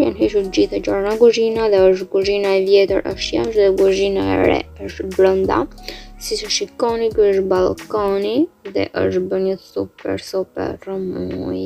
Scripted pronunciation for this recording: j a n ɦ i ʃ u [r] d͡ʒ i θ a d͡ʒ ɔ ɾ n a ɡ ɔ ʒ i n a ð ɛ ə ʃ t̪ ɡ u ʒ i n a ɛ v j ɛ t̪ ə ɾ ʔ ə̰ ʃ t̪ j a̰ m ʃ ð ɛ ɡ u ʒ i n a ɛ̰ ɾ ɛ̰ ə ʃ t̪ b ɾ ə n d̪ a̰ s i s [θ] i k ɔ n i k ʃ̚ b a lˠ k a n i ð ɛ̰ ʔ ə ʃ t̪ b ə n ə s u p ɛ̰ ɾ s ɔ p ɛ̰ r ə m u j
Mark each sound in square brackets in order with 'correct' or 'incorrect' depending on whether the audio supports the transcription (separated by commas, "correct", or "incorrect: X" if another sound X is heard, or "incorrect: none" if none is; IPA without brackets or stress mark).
incorrect: ɾ, incorrect: ʃ